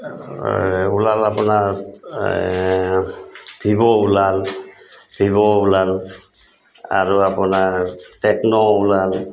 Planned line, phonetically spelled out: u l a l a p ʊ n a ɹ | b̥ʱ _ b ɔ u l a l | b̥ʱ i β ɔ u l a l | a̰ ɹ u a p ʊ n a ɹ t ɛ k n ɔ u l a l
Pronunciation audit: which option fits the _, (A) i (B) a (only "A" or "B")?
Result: A